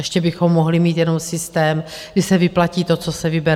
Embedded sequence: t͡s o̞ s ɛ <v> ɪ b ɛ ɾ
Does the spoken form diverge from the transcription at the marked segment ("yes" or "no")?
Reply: no